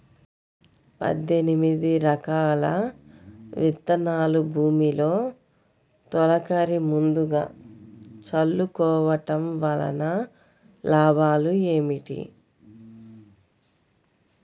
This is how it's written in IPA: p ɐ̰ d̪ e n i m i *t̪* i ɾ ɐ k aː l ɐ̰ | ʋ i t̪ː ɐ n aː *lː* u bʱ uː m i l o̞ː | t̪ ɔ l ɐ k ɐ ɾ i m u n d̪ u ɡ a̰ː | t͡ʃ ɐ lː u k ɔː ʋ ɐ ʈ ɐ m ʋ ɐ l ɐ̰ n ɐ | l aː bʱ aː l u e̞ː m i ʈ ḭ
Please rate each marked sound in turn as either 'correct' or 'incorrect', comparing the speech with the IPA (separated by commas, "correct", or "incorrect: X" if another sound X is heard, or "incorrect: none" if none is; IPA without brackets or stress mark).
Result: incorrect: d̪, incorrect: l